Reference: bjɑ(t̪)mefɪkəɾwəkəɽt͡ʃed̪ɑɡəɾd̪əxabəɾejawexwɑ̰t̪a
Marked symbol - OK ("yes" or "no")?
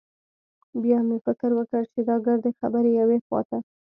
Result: no